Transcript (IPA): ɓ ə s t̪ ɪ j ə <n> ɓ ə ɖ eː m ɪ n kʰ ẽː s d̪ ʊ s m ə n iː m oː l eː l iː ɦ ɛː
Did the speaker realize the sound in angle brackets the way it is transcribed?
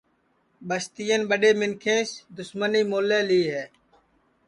yes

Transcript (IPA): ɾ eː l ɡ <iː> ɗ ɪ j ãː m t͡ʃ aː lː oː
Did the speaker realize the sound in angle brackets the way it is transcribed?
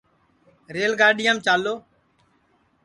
no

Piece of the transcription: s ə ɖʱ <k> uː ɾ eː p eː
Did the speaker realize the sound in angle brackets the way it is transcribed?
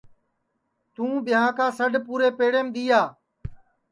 no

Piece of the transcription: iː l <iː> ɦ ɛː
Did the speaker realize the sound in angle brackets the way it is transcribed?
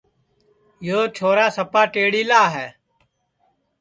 no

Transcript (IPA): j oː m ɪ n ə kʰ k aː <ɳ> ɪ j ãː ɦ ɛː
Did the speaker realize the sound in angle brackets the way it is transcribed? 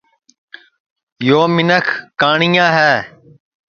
yes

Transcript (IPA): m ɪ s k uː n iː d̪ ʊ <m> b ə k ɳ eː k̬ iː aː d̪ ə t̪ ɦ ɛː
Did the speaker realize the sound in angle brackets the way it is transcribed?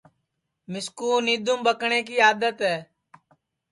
yes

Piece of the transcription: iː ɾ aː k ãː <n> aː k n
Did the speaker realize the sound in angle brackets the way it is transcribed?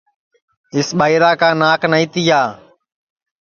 yes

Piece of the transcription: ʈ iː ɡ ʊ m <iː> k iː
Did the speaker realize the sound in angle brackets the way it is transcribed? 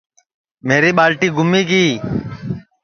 yes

